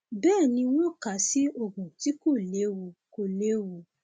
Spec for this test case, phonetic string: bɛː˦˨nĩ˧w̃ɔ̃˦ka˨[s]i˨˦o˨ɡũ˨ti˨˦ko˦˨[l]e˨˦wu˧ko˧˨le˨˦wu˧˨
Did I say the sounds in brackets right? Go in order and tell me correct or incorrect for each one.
correct, correct

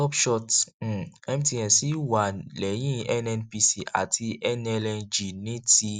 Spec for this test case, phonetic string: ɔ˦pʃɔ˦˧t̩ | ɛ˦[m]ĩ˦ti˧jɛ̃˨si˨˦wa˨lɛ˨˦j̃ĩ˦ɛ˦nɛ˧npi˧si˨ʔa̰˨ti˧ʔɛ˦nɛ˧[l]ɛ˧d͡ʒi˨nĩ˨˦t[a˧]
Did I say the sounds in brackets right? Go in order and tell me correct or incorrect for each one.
correct, correct, incorrect: i˧

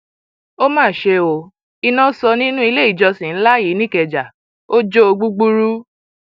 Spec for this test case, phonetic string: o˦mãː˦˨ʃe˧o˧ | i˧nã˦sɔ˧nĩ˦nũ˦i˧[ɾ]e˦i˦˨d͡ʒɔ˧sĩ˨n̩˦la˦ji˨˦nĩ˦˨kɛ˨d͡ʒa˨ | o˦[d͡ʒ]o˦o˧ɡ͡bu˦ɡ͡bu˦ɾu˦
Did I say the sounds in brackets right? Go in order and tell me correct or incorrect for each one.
incorrect: l, correct

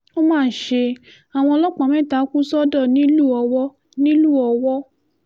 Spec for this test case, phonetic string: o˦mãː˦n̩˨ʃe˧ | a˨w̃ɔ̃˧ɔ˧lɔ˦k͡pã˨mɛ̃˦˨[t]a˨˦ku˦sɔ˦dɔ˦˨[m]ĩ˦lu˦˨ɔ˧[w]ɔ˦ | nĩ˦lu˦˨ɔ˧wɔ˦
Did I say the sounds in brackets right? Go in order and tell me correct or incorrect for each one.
correct, incorrect: n, correct

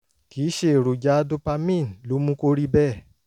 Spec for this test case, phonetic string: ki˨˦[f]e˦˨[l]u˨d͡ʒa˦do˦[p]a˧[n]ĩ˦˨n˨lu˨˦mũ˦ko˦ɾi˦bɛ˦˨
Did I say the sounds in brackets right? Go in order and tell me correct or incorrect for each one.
incorrect: ʃ, incorrect: ɾ, correct, incorrect: m

